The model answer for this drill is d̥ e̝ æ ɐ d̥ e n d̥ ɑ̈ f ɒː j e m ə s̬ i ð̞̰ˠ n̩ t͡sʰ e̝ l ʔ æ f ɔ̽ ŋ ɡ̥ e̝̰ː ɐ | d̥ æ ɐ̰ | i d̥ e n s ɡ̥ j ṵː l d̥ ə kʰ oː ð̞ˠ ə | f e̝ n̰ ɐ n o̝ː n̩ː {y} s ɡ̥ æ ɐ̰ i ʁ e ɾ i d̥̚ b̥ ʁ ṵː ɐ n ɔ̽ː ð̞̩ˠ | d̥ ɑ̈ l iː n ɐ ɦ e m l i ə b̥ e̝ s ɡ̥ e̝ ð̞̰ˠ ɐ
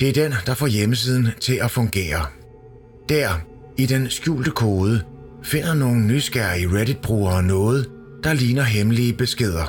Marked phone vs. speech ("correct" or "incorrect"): correct